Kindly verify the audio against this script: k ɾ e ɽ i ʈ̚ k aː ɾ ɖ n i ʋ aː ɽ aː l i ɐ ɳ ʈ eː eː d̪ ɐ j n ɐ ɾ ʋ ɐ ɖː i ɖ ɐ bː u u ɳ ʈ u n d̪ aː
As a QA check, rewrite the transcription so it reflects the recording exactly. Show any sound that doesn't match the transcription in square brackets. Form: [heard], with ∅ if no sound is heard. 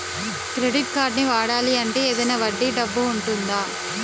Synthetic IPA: k ɾ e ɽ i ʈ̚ k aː ɾ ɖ n i ʋ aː ɽ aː l i ɐ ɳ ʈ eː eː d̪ ɐ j n ɐ [∅] ʋ ɐ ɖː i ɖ ɐ bː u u ɳ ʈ u n d̪ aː